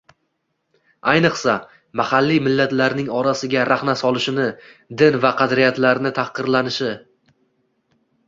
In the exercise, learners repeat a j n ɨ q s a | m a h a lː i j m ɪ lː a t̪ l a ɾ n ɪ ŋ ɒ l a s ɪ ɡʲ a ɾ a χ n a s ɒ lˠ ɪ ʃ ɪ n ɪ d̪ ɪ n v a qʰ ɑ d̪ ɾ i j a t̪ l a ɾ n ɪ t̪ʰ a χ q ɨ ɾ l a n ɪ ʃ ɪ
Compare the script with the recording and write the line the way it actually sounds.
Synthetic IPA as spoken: a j n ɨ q s a | m a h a lː i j m ɪ lː a t̪ l a ɾ n ɪ ŋ ɒ ɾ a s ɪ ɡʲ a ɾ a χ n a s ɒ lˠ ɪ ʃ ɪ n ɪ d̪ ɪ n v a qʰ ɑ d̪ ɾ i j a t̪ l a ɾ n ɪ t̪ʰ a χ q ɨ ɾ l a n ɪ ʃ ɪ